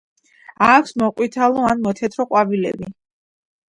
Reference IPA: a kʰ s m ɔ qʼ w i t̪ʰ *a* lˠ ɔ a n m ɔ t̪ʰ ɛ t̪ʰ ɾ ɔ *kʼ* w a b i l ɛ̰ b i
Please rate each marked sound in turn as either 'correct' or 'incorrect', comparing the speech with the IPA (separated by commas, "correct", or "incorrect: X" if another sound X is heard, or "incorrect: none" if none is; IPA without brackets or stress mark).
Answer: correct, incorrect: qʼ